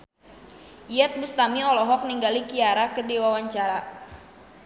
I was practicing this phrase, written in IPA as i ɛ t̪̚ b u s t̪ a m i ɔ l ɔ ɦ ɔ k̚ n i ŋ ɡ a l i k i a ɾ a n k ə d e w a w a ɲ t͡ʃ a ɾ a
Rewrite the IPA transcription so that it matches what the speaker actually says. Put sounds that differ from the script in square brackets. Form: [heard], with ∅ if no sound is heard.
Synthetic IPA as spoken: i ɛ t̪̚ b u s t̪ a m i ɔ l ɔ ɦ ɔ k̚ n i ŋ ɡ a l i k i a ɾ a [∅] k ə d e w a w a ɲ t͡ʃ a ɾ a